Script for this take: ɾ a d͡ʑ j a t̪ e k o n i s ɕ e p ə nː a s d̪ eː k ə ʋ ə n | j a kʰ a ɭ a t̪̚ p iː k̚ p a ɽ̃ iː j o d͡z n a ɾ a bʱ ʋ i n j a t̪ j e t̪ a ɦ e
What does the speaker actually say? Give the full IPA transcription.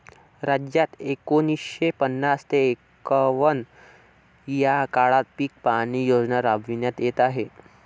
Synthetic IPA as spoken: ɾ a d͡ʑ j a t̪ e k o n i s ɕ e p ə nː a s t̪ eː k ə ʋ ə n | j a k a ɭ a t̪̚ p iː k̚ p a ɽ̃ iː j o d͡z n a ɾ a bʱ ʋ i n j a t̪ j e t̪ a ɦ e